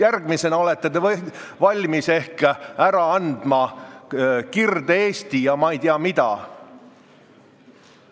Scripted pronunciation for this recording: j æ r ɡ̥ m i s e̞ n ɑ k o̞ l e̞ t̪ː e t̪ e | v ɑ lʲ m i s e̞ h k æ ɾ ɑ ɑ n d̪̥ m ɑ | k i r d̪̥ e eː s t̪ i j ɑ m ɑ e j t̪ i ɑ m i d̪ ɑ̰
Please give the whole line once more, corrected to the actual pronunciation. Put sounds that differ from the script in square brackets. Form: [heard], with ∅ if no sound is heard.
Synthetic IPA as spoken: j æ r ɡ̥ m i s e̞ n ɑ [∅] o̞ l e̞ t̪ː e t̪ e | v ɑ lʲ m i s e̞ h k æ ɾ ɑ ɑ n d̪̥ m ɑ | k i r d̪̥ e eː s t̪ i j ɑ m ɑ e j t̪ i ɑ m i d̪ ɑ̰